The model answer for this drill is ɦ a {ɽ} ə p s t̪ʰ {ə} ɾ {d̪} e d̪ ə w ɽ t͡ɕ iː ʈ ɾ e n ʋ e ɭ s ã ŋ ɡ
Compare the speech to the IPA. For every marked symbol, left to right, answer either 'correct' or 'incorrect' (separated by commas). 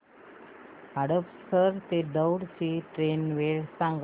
correct, correct, incorrect